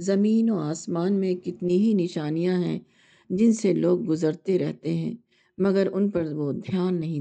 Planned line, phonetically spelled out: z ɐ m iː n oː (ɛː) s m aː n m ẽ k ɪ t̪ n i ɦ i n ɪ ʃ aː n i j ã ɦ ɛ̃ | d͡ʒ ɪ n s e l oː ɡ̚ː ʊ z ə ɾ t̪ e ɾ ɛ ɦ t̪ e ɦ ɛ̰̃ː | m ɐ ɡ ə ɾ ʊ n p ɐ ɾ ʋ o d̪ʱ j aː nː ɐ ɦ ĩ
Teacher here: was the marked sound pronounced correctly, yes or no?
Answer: no